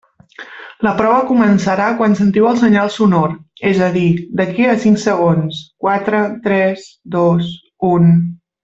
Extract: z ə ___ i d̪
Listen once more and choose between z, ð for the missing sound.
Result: ð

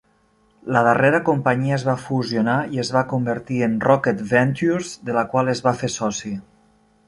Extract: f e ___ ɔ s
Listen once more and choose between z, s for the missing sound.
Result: s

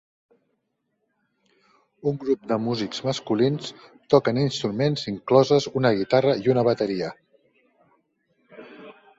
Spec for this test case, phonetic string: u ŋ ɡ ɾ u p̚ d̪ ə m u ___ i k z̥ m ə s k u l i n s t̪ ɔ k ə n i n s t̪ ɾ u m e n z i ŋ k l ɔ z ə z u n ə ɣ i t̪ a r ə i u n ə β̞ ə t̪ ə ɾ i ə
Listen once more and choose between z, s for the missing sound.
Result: z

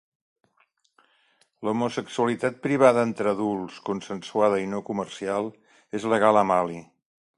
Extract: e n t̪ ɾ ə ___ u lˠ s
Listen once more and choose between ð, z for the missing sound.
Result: ð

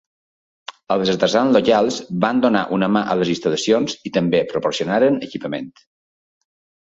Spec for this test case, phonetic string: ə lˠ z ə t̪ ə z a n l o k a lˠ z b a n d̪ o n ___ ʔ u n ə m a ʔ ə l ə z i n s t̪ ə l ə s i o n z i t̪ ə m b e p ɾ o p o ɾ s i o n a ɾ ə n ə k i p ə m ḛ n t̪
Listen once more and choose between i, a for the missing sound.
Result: a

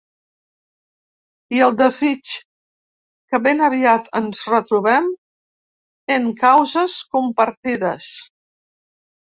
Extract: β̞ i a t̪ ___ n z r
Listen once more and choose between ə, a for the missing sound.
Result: ə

